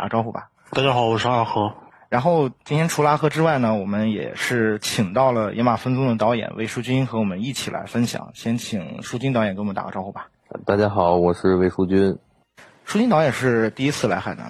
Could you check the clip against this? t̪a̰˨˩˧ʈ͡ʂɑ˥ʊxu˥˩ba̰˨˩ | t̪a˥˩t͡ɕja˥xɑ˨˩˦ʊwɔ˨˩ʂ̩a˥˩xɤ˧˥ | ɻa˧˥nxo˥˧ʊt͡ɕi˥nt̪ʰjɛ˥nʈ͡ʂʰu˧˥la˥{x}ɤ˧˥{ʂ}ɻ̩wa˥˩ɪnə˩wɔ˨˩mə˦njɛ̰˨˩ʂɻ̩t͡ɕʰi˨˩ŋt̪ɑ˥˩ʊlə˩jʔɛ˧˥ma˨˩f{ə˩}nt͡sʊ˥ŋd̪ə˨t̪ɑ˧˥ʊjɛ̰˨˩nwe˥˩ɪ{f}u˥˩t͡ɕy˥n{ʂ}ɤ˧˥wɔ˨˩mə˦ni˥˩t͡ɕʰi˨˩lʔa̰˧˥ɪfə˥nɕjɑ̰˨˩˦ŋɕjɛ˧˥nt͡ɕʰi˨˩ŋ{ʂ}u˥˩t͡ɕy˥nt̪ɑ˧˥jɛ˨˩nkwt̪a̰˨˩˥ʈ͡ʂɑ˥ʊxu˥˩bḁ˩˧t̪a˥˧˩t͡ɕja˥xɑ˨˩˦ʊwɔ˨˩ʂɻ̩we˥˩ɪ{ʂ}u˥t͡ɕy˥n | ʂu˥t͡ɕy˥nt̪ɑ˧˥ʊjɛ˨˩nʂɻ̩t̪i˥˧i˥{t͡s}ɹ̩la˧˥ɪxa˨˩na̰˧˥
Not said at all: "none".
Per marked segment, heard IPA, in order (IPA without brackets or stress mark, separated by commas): x, ʈ͡ʂ, ə˥, ʂ, x, ʂ, ʂ, t͡sʰ